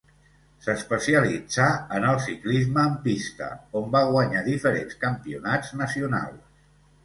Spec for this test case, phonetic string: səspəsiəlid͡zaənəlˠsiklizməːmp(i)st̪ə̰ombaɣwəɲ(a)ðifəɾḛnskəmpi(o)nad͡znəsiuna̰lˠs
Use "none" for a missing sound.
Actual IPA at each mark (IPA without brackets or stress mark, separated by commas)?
i, a, u